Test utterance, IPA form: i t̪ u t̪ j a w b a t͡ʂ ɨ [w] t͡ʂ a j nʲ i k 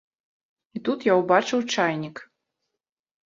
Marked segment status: correct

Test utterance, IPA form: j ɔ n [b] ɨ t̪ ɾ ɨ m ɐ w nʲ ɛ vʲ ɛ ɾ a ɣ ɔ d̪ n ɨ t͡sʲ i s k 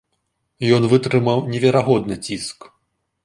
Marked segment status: incorrect: v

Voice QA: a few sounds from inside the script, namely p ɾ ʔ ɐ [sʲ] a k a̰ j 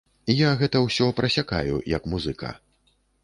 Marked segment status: correct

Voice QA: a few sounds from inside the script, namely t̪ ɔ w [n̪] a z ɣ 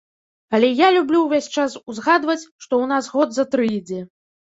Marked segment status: correct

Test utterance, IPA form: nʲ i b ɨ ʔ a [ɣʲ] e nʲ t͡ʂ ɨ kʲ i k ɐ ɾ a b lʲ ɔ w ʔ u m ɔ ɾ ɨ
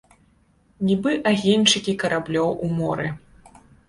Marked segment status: correct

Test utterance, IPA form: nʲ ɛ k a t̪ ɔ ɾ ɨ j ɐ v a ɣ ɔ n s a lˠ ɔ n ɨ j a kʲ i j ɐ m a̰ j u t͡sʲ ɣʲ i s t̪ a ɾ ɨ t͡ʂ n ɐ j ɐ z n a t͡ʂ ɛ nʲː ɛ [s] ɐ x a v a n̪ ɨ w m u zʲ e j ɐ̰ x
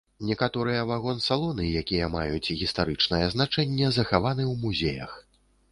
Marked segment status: incorrect: z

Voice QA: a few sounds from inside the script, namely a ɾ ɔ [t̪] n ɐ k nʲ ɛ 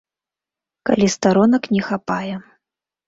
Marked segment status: incorrect: none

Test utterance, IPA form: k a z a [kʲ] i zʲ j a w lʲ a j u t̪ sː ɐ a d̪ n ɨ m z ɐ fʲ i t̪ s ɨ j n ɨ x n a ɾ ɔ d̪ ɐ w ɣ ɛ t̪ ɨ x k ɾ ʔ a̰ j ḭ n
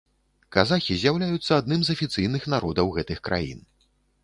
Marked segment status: incorrect: xʲ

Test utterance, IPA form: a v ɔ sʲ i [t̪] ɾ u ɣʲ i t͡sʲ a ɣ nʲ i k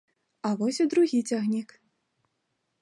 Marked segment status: incorrect: d̪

